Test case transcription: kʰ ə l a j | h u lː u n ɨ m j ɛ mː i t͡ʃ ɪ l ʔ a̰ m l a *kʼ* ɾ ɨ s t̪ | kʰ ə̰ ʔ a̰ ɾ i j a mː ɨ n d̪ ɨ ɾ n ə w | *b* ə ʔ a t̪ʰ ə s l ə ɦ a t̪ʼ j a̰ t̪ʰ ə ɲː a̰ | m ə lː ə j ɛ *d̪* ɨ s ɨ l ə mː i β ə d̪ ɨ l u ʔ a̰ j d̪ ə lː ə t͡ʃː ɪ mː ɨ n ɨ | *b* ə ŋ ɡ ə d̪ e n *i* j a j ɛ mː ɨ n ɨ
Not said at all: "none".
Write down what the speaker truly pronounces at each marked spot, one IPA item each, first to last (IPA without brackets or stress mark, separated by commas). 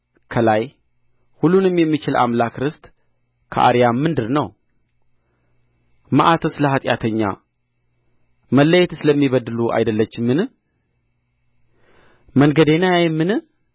k, m, t̪, m, a